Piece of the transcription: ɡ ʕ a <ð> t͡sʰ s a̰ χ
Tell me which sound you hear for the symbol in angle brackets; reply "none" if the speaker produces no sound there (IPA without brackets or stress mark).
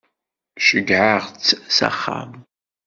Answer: ʁ